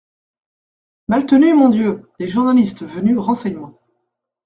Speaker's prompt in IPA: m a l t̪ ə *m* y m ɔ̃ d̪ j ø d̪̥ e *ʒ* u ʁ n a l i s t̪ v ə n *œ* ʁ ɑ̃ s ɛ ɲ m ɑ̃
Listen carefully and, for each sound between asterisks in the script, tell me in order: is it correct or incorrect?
incorrect: n, correct, incorrect: y

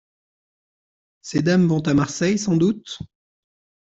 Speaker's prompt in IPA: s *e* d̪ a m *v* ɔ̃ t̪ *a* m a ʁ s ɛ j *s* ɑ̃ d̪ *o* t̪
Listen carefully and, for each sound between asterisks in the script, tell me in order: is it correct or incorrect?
correct, correct, correct, correct, incorrect: u

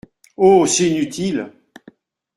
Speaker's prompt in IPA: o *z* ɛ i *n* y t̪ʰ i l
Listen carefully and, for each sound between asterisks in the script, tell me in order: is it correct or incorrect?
incorrect: s, correct

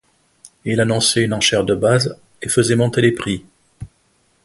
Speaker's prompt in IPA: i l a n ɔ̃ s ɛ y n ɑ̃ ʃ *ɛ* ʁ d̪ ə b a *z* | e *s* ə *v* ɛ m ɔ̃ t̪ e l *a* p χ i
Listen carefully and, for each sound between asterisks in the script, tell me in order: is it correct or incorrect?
correct, correct, incorrect: f, incorrect: z, incorrect: e

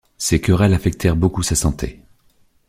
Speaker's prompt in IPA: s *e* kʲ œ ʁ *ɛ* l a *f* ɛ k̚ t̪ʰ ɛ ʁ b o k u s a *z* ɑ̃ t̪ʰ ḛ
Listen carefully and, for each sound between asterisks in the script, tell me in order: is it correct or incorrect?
correct, correct, correct, incorrect: s

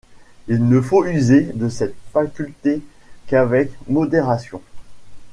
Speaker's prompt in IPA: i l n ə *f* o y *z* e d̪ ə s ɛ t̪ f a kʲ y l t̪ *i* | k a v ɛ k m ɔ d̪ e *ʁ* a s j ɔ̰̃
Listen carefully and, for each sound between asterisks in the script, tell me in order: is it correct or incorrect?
correct, correct, incorrect: e, correct

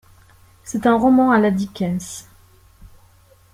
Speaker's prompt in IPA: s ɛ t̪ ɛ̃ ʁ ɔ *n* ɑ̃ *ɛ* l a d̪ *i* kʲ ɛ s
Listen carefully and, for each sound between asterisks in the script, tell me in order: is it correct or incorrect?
incorrect: m, incorrect: a, correct

